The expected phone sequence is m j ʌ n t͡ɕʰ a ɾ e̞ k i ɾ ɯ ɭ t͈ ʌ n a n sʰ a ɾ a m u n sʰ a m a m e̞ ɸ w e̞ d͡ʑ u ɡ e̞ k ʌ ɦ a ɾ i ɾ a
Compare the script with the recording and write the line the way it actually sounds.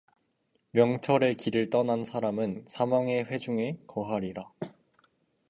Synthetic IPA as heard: m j ʌ ŋ t͡ɕʰ ʌ ɾ e̞ k i ɾ ɯ ɭ t͈ ʌ n a n sʰ a ɾ a m ɯ n sʰ a m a ŋ e̞ ɸ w e̞ d͡ʑ u ŋ e̞ k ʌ ɦ a ɾ i ɾ a